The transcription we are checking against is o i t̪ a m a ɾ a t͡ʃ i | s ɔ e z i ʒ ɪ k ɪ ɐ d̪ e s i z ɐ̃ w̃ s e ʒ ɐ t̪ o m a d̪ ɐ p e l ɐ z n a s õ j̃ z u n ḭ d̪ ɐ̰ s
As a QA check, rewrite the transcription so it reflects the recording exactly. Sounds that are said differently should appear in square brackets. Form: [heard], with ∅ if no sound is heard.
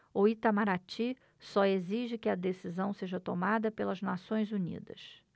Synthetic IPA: o i t̪ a m a ɾ a t͡ʃ i | s ɔ e z i ʒ ɪ k ɪ ɐ d̪ e s i z ɐ̃ w̃ s e ʒ ɐ t̪ o m a d̪ ɐ p e l ɐ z n a s õ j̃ z u n ḭ d̪ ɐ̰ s